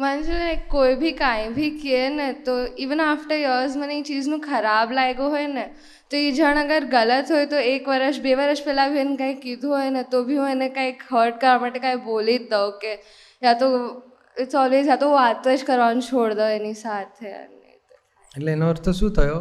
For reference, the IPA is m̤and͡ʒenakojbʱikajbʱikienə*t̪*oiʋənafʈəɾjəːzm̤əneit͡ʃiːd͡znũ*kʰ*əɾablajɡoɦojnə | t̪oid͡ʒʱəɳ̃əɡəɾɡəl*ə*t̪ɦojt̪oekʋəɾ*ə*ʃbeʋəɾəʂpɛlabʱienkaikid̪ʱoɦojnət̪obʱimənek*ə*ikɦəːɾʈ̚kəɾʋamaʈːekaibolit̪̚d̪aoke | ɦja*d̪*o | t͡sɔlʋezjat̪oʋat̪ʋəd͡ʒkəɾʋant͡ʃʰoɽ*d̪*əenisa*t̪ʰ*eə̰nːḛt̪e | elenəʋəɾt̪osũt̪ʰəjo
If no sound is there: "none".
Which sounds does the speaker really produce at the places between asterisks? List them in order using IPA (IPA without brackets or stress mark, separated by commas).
t̪, kʰ, ə, ə, a, t̪, d̪, t̪ʰ